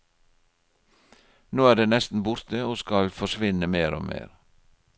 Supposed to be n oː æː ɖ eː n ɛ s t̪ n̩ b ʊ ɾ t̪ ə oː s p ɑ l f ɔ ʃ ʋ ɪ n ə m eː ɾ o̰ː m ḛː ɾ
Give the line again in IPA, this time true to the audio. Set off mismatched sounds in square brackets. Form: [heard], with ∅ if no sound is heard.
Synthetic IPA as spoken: n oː æː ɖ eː n ɛ s t̪ n̩ b ʊ ɾ t̪ ə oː s [k] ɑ l f ɔ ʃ ʋ ɪ n ə m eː ɾ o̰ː m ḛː ɾ